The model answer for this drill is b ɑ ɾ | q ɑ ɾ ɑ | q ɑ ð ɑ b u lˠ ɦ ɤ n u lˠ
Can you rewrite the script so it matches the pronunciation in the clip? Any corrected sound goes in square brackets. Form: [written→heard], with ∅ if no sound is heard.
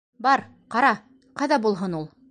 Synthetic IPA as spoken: b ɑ ɾ | q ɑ ɾ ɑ | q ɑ ð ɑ b u lˠ ɦ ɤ n u lˠ